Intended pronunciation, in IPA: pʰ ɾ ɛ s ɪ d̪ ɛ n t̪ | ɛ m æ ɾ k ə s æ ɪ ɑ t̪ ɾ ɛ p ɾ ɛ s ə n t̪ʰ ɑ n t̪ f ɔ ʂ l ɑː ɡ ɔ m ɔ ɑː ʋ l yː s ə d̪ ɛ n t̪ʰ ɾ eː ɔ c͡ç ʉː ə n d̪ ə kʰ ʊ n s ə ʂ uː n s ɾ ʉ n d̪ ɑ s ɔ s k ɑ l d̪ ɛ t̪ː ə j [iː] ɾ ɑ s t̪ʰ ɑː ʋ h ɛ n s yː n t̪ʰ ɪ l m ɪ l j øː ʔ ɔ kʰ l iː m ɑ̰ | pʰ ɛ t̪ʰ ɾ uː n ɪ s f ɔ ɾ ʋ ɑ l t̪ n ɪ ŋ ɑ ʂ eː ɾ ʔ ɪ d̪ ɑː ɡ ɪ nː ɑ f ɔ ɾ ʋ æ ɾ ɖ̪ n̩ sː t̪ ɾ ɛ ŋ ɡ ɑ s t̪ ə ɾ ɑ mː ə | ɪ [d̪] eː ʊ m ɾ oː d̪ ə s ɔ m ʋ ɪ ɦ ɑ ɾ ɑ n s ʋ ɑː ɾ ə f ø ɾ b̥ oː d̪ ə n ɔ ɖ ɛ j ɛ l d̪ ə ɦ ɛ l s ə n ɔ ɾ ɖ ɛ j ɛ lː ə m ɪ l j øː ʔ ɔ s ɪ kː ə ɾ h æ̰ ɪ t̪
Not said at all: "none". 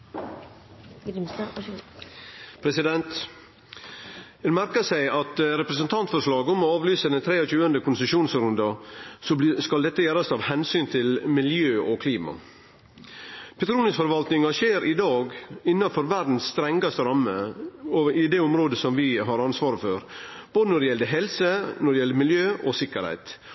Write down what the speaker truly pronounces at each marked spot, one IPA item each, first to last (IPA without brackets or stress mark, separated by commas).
æː, d̪